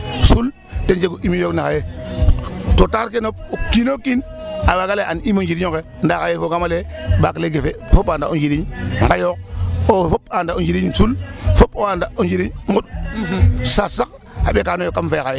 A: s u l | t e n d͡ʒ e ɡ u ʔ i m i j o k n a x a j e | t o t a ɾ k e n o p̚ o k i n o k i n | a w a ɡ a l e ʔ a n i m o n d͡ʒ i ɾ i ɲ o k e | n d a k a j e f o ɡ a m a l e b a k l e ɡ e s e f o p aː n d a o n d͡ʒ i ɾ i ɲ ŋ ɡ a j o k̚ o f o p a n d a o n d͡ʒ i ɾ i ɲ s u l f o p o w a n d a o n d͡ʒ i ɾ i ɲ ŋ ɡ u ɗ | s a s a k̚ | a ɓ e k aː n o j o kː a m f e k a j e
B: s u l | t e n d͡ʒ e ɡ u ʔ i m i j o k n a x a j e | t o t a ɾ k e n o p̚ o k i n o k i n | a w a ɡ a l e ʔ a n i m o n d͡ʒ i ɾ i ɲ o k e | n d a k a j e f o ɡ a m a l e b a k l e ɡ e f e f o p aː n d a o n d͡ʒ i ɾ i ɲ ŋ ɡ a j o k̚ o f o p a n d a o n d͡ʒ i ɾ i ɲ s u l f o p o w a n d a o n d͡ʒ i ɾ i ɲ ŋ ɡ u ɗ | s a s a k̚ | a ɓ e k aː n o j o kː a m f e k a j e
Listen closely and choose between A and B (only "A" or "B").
B